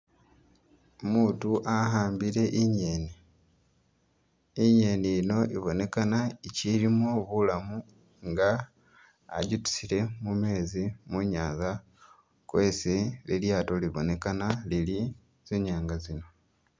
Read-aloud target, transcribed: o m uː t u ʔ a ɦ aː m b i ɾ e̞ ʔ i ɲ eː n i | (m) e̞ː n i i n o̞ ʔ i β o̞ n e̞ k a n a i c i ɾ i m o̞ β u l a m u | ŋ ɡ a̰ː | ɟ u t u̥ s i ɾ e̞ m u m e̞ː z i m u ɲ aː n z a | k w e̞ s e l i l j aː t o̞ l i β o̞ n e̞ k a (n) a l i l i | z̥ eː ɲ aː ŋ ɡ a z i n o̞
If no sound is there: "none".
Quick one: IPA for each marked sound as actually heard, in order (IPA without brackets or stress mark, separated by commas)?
ɲ, n